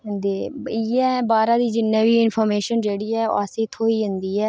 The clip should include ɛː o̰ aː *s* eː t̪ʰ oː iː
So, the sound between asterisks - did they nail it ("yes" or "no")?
yes